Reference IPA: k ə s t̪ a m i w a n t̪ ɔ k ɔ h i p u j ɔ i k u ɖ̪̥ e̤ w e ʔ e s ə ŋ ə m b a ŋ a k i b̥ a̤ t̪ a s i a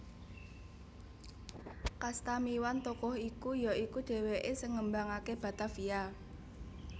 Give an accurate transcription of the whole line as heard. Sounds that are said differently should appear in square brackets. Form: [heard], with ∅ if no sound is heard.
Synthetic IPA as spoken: k [a] s t̪ a m i w a n t̪ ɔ k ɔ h i [k] u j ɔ i k u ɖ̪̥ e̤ w e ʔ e s ə ŋ ə m b a ŋ a k [e] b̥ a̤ t̪ a [f] i a